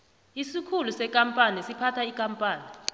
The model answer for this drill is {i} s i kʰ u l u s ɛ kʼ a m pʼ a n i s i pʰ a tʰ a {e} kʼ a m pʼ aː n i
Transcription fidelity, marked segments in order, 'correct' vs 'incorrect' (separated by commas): correct, incorrect